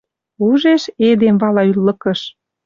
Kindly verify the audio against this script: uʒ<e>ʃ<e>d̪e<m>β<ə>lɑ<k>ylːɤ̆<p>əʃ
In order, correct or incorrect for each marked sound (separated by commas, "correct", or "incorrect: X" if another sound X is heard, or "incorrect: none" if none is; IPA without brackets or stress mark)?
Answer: correct, correct, correct, incorrect: ɑ, incorrect: none, incorrect: k